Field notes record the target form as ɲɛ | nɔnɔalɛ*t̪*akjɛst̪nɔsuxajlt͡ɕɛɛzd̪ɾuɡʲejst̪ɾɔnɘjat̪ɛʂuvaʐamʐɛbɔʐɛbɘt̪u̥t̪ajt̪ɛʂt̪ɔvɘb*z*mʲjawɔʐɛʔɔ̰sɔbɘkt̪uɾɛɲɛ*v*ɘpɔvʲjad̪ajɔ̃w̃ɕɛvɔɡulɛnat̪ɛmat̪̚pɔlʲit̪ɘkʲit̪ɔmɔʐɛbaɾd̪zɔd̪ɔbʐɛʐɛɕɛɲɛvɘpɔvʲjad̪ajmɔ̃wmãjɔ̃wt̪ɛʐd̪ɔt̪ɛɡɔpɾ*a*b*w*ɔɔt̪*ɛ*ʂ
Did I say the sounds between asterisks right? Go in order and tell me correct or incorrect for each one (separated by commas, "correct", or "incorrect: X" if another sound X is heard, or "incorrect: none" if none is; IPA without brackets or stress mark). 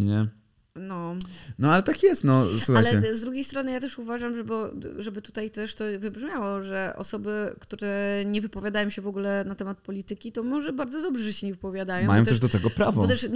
correct, incorrect: ʐ, correct, correct, incorrect: v, correct